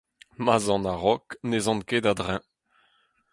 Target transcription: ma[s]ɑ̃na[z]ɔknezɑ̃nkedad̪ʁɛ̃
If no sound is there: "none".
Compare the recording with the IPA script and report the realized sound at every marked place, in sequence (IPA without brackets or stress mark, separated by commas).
z, ʁ